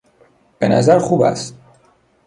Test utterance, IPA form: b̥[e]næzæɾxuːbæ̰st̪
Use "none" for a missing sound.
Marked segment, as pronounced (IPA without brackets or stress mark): e